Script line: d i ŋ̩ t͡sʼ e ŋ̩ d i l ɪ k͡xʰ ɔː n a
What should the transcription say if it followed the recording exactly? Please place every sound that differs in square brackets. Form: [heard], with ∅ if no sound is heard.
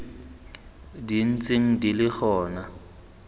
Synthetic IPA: d i [n̩] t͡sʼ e ŋ̩ d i l ɪ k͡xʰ ɔː n a